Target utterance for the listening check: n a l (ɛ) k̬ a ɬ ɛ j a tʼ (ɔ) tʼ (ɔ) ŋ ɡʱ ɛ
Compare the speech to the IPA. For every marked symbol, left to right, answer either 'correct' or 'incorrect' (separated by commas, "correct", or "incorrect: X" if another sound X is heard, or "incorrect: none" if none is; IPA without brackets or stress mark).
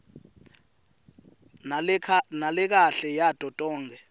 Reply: correct, correct, incorrect: ɔː